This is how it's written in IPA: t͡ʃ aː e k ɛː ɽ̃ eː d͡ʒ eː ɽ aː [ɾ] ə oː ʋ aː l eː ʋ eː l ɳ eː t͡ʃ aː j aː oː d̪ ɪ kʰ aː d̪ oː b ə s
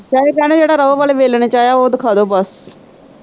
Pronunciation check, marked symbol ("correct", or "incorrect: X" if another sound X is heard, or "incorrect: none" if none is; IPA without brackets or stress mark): correct